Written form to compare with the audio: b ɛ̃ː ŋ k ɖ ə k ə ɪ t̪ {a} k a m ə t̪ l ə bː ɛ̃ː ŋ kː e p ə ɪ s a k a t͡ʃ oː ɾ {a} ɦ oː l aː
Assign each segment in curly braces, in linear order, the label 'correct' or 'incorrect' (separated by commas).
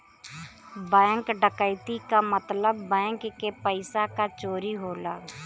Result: incorrect, incorrect